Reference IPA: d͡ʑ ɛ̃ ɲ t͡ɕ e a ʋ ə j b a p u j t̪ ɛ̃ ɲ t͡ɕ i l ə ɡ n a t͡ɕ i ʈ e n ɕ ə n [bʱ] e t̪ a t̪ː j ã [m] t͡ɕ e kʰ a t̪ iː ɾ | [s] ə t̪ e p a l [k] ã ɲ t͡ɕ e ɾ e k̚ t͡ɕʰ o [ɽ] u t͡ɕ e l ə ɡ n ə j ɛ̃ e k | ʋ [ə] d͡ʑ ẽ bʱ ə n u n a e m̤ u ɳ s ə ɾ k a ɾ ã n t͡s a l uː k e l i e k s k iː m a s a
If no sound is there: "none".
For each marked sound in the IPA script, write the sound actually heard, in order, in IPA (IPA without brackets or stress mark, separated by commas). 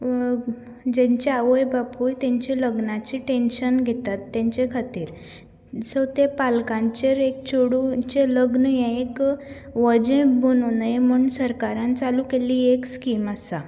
ɡʱ, ɲ, s, k, ɽ, ə